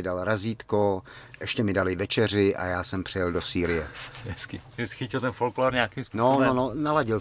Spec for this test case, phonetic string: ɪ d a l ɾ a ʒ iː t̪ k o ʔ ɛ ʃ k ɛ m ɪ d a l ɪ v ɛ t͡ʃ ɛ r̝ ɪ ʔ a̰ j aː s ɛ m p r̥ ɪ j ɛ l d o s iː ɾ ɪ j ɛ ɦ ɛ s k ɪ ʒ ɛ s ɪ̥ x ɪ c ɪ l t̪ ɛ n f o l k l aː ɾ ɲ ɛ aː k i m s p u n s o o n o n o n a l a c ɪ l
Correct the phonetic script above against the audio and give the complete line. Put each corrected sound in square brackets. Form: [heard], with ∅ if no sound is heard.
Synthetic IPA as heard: ɪ d a l ɾ a [z] iː t̪ k o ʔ ɛ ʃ [c] ɛ m ɪ d a l ɪ v ɛ t͡ʃ ɛ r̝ ɪ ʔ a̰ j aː s ɛ m p r̥ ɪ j ɛ l d o s iː ɾ ɪ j ɛ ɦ ɛ s k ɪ ʒ ɛ s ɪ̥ x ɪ c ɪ l t̪ ɛ n f o l k l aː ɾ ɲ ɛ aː k i m s p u n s o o n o n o n a l a [ɟ] ɪ l